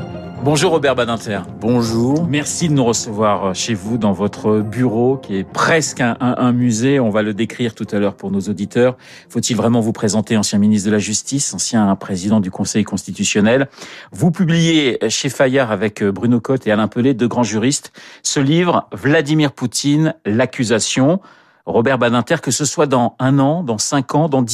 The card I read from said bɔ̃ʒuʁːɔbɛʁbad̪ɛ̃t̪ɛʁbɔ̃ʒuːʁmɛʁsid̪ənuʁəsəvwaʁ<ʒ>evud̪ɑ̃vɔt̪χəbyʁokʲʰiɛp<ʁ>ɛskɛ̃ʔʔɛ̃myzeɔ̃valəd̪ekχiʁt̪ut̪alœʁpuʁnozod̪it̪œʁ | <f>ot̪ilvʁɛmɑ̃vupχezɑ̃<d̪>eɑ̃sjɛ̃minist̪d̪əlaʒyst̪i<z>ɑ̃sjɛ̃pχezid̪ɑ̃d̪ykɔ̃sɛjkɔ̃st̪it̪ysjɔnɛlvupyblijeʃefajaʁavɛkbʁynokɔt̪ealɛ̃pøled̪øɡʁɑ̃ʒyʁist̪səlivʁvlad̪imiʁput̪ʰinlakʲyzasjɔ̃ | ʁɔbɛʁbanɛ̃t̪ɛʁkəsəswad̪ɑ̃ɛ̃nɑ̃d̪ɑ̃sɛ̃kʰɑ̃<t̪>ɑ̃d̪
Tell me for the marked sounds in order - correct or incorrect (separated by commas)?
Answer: incorrect, incorrect, correct, incorrect, incorrect, incorrect